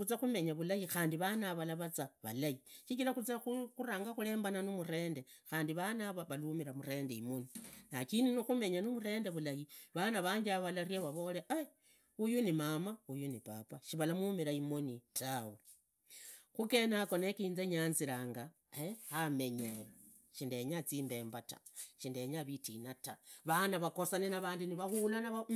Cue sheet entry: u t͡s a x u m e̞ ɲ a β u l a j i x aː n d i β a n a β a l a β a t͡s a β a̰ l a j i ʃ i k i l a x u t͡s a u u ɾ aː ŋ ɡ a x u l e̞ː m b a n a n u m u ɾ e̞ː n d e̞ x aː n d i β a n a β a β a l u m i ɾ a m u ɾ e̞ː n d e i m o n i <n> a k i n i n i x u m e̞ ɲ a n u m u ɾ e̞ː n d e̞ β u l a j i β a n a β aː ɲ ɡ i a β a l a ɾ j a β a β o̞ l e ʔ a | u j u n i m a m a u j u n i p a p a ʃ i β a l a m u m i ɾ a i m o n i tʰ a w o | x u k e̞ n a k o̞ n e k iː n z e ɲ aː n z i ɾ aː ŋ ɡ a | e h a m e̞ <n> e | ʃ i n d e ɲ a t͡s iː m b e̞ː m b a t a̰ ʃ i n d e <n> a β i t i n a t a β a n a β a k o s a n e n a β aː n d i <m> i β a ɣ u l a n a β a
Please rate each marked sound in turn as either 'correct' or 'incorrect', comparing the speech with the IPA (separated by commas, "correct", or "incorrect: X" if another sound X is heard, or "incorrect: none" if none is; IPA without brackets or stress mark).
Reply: correct, incorrect: ɲ, incorrect: ɲ, incorrect: n